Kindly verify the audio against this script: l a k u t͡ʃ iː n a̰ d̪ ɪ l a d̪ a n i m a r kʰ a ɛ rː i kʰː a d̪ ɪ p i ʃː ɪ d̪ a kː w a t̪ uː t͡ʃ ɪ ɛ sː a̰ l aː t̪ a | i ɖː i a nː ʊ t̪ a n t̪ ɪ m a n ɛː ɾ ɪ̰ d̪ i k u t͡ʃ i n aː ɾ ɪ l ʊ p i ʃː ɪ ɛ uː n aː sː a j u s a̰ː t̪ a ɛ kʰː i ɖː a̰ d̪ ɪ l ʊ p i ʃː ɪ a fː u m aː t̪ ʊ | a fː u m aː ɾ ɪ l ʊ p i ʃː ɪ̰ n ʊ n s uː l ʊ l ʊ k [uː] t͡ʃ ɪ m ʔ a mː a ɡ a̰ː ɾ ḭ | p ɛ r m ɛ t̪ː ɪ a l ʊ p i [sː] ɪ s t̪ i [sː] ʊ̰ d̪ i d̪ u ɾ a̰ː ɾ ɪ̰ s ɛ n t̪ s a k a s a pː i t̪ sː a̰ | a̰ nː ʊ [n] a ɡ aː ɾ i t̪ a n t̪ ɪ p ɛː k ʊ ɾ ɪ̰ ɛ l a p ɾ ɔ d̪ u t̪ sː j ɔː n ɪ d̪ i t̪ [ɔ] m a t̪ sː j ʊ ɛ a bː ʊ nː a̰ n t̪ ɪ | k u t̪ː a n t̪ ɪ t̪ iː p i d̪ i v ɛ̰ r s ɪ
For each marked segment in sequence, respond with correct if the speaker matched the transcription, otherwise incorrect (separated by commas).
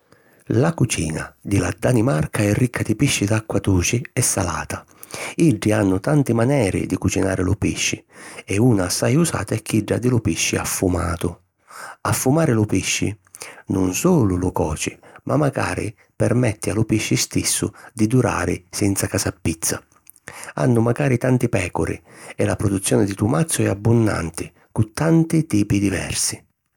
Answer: incorrect, incorrect, correct, incorrect, incorrect